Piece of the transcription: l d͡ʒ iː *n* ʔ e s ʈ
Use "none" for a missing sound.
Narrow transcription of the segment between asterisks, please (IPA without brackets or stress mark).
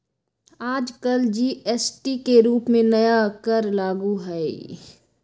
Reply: none